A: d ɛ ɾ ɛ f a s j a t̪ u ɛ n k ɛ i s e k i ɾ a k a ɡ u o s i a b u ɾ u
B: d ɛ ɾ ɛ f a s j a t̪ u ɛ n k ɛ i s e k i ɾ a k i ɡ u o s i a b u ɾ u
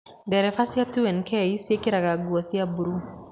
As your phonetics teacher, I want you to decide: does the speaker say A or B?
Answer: A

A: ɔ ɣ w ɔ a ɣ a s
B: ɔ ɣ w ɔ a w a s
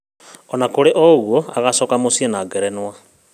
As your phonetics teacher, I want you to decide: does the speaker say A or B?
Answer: A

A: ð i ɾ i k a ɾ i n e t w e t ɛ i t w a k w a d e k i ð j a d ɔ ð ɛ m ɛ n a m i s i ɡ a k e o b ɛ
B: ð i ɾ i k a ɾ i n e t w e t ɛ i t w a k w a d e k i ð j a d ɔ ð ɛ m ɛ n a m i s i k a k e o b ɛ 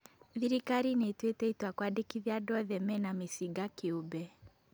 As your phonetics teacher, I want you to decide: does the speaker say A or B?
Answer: A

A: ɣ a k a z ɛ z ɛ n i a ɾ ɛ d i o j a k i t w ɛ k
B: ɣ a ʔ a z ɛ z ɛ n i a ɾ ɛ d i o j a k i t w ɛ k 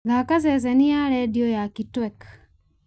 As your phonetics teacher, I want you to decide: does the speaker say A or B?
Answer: A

